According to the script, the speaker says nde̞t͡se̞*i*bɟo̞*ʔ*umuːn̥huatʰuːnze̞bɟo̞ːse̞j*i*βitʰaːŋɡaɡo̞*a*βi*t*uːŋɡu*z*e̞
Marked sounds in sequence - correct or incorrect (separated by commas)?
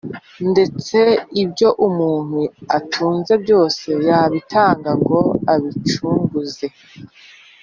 correct, correct, incorrect, correct, incorrect, correct